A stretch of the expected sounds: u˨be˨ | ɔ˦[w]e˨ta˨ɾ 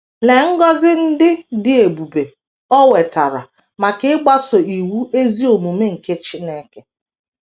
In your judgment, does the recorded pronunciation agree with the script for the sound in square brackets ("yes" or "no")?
yes